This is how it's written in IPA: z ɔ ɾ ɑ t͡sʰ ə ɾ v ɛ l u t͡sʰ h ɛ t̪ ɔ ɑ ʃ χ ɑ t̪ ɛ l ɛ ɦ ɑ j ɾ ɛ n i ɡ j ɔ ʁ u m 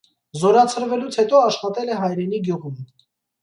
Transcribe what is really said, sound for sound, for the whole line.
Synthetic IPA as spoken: z ɔ ɾ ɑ t͡sʰ ə ɾ v ɛ l u t͡sʰ h ɛ t̪ ɔ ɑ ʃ χ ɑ t̪ ɛ l ɛ ɦ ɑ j ɾ ɛ n i ɡ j u ʁ u m